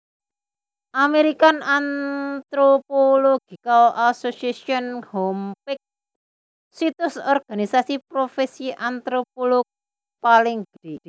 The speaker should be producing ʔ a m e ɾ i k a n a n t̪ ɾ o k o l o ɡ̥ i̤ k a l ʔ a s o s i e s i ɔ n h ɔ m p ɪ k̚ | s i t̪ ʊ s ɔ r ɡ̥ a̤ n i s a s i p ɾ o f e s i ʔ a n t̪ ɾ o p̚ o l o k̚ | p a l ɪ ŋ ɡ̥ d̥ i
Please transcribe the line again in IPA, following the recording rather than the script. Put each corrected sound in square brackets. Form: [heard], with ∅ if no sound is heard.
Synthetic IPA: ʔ a m e ɾ i k a n a n t̪ ɾ o [p] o l o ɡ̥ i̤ k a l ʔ a s o s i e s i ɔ n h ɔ m p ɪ k̚ | s i t̪ ʊ s ɔ r ɡ̥ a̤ n i s a s i p ɾ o f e s i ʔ a n t̪ ɾ o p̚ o l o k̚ | p a l ɪ ŋ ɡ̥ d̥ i

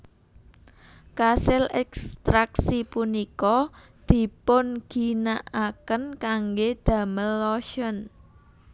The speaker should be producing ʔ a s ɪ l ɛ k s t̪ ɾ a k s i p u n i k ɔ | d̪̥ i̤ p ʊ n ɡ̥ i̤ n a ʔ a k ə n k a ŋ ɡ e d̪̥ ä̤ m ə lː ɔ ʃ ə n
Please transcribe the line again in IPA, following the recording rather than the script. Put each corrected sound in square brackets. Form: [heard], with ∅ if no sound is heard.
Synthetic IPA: [k] a s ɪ l ɛ k s t̪ ɾ a k s i p u n i k ɔ | d̪̥ i̤ p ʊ n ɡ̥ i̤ n a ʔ a k ə n k a ŋ ɡ e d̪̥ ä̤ m ə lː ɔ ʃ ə n

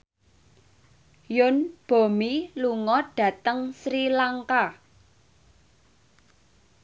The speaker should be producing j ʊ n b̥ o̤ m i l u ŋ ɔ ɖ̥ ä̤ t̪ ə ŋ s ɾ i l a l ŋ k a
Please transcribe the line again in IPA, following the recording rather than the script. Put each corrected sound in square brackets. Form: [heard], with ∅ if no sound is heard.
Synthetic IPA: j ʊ n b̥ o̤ m i l u ŋ ɔ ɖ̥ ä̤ t̪ ə ŋ s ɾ i l a [∅] ŋ k a

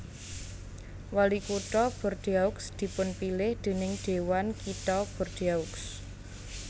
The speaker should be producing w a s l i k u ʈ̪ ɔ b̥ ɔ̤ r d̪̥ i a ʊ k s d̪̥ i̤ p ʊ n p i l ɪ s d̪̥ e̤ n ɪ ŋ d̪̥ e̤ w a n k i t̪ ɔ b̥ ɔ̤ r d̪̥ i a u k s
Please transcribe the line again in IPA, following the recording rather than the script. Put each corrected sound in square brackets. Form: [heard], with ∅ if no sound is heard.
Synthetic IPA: w a [∅] l i k u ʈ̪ ɔ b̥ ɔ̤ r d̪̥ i a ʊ k s d̪̥ i̤ p ʊ n p i l ɪ [h] d̪̥ e̤ n ɪ ŋ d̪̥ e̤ w a n k i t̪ ɔ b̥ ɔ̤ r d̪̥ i a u k s

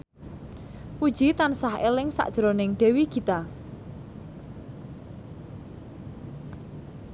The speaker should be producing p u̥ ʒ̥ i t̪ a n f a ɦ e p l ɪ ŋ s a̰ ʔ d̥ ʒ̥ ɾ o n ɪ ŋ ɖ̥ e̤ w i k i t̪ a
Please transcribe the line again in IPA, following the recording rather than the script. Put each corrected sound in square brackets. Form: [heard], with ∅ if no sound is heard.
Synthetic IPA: p u̥ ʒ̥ i t̪ a n [s] a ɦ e [∅] l ɪ ŋ s a̰ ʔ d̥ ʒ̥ ɾ o n ɪ ŋ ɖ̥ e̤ w i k i t̪ a

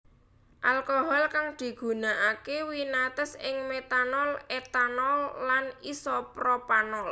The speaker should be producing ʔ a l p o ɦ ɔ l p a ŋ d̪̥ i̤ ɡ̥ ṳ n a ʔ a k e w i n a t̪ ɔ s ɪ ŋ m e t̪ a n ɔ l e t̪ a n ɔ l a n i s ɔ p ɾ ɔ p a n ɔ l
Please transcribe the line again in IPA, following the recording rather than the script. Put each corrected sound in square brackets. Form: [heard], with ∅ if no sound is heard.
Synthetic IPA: ʔ a l [k] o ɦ ɔ l [k] a ŋ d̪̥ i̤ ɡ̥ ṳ n a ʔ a k e w i n a t̪ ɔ s ɪ ŋ m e t̪ a n ɔ l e t̪ a n ɔ [lː] a n i s ɔ p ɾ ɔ p a n ɔ l

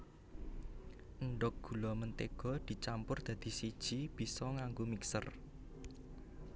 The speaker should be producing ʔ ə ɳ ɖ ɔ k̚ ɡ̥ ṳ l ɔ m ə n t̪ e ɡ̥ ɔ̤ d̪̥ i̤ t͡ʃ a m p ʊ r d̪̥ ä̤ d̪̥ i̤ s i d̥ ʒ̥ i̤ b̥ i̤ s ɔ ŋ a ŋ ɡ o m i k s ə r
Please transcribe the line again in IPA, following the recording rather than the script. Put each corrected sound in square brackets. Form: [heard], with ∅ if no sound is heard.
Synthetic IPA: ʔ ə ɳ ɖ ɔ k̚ ɡ̥ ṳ l ɔ m ə n t̪ e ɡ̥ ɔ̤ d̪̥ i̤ t͡ʃ a m p ʊ r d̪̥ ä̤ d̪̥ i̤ s i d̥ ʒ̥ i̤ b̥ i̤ s ɔ ŋ a ŋ ɡ o m i k s ə r

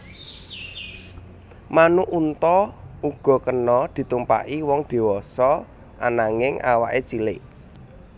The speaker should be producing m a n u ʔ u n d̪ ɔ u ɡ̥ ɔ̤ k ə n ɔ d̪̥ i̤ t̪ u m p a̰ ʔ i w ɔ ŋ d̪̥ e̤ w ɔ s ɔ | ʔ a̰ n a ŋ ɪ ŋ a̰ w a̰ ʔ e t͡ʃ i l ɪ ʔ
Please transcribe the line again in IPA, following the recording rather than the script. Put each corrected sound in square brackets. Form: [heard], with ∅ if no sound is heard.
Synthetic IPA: m a n u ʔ u n [t̪] ɔ u ɡ̥ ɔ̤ k ə n ɔ d̪̥ i̤ t̪ u m p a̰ ʔ i w ɔ ŋ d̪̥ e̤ w ɔ s ɔ | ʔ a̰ n a ŋ ɪ ŋ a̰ w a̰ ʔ e t͡ʃ i l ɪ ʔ

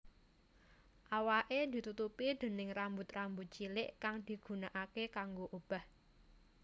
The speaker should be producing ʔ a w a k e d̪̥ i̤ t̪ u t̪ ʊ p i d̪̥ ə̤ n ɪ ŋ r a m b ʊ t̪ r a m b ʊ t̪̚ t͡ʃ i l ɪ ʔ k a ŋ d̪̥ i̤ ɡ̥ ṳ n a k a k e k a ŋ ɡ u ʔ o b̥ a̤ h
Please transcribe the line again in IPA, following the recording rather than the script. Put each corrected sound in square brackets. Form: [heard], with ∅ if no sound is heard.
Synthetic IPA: ʔ a w a [ʔ] e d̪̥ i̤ t̪ u t̪ [u] p i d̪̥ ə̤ n ɪ ŋ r a m b ʊ t̪ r a m b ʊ t̪̚ t͡ʃ i l ɪ ʔ k a ŋ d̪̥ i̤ ɡ̥ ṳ n a [ʔ] a k e k a ŋ ɡ [o] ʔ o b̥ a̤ h

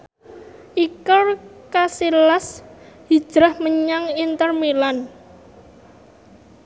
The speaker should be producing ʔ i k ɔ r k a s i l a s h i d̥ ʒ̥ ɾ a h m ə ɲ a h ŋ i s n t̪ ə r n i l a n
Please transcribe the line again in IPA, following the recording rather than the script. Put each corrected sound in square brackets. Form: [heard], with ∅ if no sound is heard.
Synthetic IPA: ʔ i k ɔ r k a s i l a s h i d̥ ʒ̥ ɾ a h m ə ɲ a [∅] ŋ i [∅] n t̪ ə r [m] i l a n

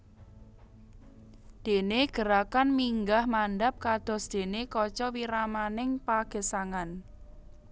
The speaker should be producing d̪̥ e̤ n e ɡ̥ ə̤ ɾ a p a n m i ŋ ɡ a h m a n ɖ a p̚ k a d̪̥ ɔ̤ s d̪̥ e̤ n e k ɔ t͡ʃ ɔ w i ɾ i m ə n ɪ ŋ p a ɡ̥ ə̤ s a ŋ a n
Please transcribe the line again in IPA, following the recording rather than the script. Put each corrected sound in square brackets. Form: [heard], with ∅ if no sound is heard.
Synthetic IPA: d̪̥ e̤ n e ɡ̥ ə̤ ɾ a [k] a n m i ŋ ɡ a h m a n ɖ a p̚ k a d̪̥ ɔ̤ s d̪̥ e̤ n e k ɔ t͡ʃ ɔ w i ɾ [a] m [a] n ɪ ŋ p a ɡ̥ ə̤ s a ŋ a n

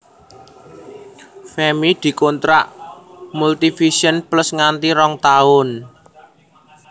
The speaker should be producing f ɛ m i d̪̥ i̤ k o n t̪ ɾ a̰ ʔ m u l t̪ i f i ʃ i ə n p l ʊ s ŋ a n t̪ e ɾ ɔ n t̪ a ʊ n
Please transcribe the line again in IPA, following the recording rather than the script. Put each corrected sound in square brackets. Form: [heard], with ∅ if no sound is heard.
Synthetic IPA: f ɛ m i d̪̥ i̤ k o n t̪ ɾ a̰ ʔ m u l t̪ i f i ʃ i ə n p l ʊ s ŋ a n t̪ [i] ɾ ɔ [ŋ] t̪ a ʊ n

